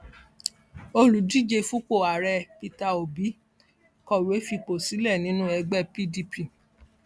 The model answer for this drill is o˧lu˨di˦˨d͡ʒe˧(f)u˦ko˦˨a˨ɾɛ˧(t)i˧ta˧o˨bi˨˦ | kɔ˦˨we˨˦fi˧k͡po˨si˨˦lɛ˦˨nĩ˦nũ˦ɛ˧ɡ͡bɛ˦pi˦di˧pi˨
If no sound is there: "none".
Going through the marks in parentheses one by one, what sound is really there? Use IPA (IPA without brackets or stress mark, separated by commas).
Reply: f, p